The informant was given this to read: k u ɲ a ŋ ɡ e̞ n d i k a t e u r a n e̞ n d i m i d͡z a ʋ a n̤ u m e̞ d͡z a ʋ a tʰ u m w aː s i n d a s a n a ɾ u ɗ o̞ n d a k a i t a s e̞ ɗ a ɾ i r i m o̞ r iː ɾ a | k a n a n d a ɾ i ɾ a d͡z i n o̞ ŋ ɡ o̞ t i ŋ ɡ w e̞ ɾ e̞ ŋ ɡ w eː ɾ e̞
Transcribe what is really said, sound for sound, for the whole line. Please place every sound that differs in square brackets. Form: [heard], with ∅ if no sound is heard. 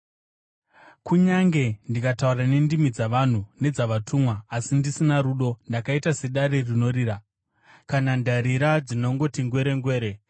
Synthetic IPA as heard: k u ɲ a ŋ ɡ e̞ n d i k a t [a] u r a n e̞ n d i m i d͡z a ʋ a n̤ u [n] e̞ d͡z a ʋ a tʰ u m w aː s i n d [i] s [i] n a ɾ u ɗ o̞ n d a k a i t a s e̞ ɗ a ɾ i r i [n] o̞ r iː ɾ a | k a n a n d a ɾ i ɾ a d͡z i n o̞ ŋ ɡ o̞ t i ŋ ɡ w e̞ ɾ e̞ ŋ ɡ w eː ɾ e̞